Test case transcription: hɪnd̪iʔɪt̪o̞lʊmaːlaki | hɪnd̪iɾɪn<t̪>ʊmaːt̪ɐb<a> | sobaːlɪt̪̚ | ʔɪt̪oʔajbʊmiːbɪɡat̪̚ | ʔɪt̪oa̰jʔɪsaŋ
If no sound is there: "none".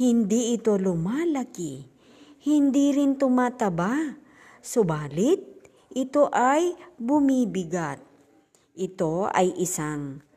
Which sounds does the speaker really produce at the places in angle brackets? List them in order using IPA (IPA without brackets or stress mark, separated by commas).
t̪, a